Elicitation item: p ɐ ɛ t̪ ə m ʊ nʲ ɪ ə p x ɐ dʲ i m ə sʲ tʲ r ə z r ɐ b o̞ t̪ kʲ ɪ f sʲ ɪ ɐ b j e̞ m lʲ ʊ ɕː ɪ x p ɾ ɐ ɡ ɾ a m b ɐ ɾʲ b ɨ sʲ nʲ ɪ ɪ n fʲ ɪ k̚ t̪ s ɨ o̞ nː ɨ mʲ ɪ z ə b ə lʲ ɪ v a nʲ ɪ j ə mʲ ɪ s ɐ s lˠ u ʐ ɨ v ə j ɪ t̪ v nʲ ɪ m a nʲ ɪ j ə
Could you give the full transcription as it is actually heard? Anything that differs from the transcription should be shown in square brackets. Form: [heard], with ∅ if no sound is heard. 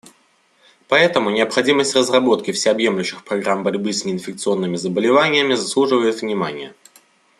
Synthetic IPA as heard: p ɐ ɛ t̪ ə m ʊ nʲ ɪ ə p x ɐ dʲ i m ə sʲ tʲ r ə z r ɐ b o̞ t̪ kʲ ɪ f sʲ ɪ ɐ b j e̞ m lʲ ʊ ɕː ɪ x p ɾ ɐ ɡ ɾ a m b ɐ ɾʲ b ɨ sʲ nʲ ɪ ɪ n fʲ ɪ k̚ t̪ s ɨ o̞ nː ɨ mʲ ɪ z ə b ə lʲ ɪ v a nʲ ɪ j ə mʲ ɪ [z] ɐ s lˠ u ʐ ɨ v ə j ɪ t̪ v nʲ ɪ m a nʲ ɪ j ə